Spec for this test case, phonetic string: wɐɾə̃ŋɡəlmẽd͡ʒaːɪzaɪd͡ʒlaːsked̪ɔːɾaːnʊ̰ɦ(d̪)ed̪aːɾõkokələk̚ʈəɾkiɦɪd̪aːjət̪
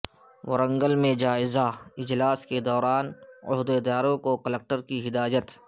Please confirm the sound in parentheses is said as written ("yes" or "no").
yes